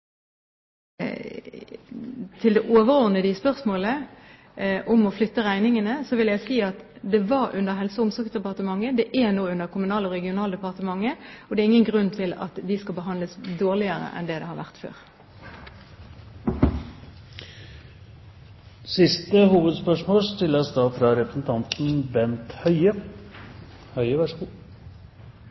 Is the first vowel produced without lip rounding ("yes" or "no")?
yes